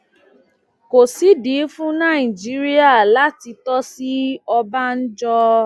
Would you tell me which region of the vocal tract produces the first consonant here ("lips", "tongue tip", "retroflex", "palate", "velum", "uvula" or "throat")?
velum